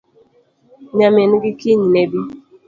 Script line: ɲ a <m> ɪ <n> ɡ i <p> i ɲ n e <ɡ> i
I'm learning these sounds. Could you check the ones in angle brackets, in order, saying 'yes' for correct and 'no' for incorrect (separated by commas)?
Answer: yes, yes, no, no